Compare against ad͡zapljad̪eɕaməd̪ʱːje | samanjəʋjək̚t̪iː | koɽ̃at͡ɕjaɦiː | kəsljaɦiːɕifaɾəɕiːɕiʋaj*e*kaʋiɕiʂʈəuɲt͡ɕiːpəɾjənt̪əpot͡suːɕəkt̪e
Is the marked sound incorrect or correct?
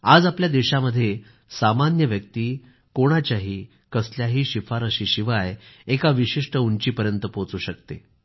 correct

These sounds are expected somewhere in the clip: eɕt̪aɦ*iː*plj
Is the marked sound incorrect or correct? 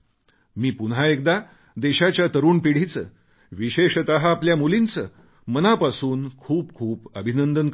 incorrect: aː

